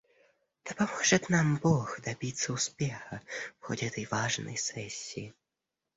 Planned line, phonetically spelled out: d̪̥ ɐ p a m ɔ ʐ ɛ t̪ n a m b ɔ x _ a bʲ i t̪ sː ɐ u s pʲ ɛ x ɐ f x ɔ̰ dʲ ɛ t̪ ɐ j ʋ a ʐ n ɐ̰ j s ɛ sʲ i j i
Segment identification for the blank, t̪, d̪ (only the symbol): d̪